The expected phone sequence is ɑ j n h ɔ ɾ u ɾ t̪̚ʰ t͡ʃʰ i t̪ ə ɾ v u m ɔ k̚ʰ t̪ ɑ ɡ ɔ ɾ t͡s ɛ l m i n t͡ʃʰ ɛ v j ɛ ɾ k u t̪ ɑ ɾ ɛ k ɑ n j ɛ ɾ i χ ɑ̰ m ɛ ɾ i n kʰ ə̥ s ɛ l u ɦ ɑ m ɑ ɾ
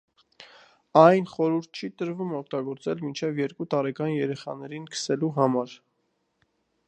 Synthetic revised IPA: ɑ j n χ ɔ ɾ u ɾ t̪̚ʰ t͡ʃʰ i t̪ ə ɾ v u m ɔ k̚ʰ t̪ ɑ ɡ ɔ ɾ t͡s ɛ l m i n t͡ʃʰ ɛ v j ɛ ɾ k u t̪ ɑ ɾ ɛ k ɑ n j ɛ ɾ ɛ χ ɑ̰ n ɛ ɾ i n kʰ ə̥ s ɛ l u ɦ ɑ m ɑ ɾ